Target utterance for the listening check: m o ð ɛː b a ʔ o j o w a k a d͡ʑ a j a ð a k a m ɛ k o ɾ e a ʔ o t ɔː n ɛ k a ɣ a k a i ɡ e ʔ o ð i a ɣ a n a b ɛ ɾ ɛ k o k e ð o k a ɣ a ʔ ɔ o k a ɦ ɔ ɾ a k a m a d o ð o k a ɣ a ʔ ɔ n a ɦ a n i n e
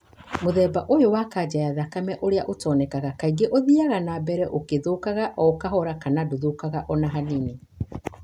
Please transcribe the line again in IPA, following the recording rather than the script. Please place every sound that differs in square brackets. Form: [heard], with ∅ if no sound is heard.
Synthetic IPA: m o ð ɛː b a ʔ o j o w a k a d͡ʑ a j a ð a k a m ɛ [ʔ] o ɾ e a ʔ o t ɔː n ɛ k a ɣ a k a i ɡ e ʔ o ð i a ɣ a n a b ɛ ɾ ɛ [ʔ] o k e ð o k a ɣ a ʔ ɔ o k a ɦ ɔ ɾ a k a [n] a d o ð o k a ɣ a ʔ ɔ n a ɦ a n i n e

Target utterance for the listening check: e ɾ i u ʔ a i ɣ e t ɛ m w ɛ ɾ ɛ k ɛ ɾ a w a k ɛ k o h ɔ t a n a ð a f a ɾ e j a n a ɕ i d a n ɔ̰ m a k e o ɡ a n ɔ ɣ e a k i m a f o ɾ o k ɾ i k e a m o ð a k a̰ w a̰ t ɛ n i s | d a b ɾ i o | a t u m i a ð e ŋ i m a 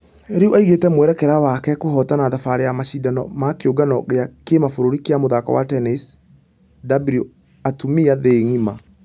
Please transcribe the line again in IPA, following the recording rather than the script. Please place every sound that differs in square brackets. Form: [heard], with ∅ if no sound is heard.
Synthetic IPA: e ɾ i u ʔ a i ɣ e t ɛ m w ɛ ɾ ɛ k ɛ ɾ a w a k ɛ k o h ɔ t a n a ð a f a ɾ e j a [m] a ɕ i d a n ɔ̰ m a k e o ɡ a n ɔ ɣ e a k [e] m a f o ɾ o [∅] ɾ i k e a m o ð a k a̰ w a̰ t ɛ n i s | d a b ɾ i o | a t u m i a ð e ŋ i m a

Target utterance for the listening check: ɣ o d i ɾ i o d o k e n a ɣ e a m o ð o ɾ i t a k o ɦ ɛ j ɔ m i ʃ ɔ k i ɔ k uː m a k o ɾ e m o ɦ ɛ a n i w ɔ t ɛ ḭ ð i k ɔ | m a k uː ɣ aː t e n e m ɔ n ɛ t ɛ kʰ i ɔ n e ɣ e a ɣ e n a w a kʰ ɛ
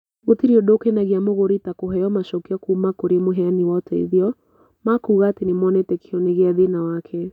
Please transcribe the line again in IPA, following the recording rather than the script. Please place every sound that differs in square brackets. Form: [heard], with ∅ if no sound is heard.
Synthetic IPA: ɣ o [t] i ɾ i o d o k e n a ɣ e a m o [ɣ] o ɾ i t a k o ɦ ɛ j ɔ m [a] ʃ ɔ k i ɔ k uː m a k o ɾ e m o ɦ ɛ a n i w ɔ t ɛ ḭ ð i [∅] ɔ | m a k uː ɣ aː t e n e m ɔ n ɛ t ɛ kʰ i ɔ n e ɣ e a [ð] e n a w a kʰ ɛ

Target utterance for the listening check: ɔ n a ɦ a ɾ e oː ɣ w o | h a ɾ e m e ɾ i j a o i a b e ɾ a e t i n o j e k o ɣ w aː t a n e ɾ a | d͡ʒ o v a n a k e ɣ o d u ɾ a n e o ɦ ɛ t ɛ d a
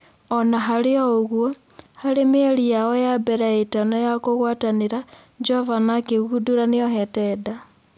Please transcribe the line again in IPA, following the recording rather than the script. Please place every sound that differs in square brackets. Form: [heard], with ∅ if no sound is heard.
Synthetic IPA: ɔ n a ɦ a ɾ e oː ɣ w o | h a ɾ e m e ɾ i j a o [j] a b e ɾ a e t [a] n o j [a] k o ɣ w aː t a n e ɾ a | d͡ʒ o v a n a k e ɣ [u] d u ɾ a n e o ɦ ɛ t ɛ d a

